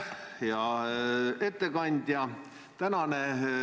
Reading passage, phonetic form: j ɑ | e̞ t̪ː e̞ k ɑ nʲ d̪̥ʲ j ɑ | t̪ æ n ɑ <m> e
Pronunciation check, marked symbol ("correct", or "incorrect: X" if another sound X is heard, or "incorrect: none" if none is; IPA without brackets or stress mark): incorrect: n